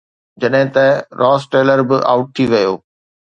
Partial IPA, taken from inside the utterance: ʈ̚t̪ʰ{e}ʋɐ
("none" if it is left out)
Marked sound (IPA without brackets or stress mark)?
i